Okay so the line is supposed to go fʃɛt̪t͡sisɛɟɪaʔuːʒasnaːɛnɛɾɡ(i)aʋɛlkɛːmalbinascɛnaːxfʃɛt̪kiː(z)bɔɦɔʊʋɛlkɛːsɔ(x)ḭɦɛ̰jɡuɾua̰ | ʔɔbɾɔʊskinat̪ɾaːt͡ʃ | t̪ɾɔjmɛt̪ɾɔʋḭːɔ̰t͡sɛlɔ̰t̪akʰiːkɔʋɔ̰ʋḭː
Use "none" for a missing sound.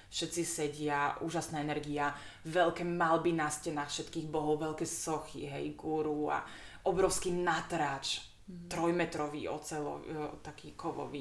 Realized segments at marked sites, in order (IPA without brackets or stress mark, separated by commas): i, ɣ, x